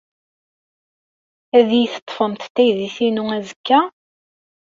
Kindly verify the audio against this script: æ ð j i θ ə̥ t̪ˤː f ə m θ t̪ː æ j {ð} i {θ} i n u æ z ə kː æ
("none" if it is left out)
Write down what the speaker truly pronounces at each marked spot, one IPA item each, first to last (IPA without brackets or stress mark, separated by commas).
ð, θ